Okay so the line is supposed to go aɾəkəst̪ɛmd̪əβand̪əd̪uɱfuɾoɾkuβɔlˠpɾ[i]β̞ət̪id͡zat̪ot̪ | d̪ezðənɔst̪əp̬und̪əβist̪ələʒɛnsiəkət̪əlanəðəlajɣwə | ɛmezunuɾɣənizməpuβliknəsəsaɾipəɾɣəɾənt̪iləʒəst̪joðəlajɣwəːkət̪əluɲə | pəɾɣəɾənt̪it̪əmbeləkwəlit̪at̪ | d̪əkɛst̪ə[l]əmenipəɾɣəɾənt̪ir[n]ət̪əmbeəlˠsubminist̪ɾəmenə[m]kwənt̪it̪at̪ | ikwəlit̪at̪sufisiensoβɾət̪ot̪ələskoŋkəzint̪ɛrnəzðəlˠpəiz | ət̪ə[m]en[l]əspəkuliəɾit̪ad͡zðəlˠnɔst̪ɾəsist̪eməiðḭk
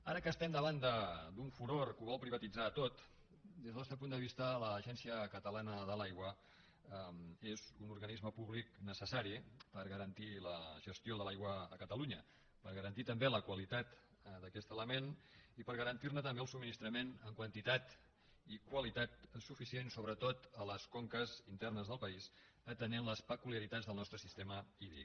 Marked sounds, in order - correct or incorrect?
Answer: correct, correct, correct, incorrect: ŋ, incorrect: n, correct

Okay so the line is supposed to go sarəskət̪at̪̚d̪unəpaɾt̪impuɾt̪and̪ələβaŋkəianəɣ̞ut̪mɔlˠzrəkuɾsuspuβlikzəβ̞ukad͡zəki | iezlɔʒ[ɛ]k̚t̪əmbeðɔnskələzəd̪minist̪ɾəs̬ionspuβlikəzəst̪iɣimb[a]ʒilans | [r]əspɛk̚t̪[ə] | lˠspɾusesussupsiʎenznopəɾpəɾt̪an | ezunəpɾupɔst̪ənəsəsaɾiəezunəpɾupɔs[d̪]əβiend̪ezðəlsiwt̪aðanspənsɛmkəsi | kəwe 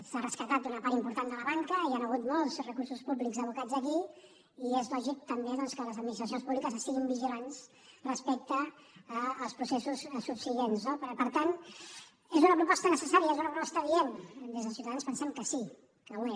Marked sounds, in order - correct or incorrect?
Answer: incorrect: i, incorrect: i, correct, incorrect: əː, incorrect: t̪

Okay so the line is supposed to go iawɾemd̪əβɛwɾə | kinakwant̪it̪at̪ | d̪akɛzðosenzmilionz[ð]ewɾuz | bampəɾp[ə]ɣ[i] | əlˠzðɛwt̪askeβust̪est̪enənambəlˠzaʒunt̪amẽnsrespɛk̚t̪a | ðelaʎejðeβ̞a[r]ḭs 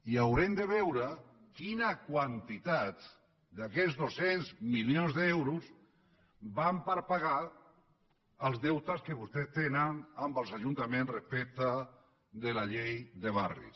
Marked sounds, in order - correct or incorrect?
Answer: correct, incorrect: a, incorrect: a, correct

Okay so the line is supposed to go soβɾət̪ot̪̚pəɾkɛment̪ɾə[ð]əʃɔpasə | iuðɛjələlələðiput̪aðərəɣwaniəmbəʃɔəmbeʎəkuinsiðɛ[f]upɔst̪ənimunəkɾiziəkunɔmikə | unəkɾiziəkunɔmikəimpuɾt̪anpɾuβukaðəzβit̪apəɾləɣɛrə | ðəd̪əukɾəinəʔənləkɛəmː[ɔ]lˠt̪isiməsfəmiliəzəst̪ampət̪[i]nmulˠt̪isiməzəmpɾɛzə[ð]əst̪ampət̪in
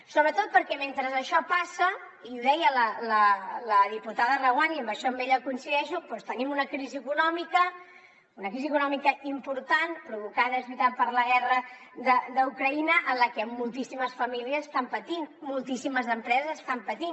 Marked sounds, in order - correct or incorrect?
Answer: incorrect: z, incorrect: ʃ, incorrect: u, correct, incorrect: z

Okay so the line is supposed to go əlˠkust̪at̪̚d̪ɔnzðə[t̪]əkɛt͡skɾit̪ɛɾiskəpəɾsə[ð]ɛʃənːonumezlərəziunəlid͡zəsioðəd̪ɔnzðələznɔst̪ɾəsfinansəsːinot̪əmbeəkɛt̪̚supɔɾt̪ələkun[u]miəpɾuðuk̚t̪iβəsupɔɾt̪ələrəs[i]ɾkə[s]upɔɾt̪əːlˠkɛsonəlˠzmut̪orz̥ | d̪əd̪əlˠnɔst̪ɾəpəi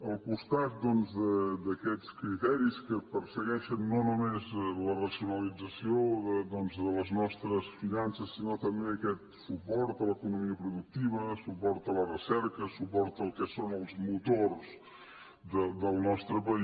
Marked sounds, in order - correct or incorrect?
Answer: incorrect: d̪, incorrect: ɣ, correct, incorrect: ɛ, correct

